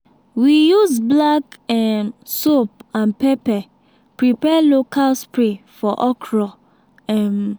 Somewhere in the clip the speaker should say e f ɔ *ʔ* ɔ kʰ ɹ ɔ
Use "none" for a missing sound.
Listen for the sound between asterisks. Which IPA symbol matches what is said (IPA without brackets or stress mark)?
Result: ʔ